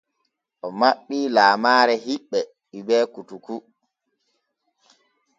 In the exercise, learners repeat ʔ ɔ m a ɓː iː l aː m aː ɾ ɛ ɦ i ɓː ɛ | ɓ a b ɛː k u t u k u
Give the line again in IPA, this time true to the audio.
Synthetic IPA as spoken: ʔ ɔ m a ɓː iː l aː m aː ɾ ɛ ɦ i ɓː ɛ | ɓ i b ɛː k u t u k u